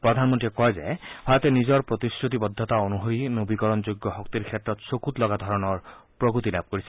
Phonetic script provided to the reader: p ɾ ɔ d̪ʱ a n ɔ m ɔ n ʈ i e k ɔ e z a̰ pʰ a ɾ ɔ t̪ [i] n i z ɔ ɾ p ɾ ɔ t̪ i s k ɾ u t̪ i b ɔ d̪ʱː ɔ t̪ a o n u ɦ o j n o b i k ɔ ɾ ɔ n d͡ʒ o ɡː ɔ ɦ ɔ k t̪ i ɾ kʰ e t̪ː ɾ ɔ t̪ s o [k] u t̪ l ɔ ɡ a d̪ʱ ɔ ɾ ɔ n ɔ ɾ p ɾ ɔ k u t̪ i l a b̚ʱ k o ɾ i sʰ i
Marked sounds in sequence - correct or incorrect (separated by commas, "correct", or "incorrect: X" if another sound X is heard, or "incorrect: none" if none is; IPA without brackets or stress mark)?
incorrect: e, correct